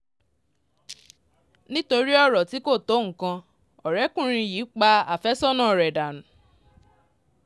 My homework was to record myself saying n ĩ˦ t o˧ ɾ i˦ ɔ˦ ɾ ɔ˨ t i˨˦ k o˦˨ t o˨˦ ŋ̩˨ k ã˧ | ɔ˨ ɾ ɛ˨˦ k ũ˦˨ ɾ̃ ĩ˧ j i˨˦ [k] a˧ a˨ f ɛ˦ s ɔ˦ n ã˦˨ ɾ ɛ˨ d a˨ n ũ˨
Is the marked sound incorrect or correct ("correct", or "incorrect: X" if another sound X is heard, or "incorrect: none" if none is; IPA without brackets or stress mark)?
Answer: incorrect: k͡p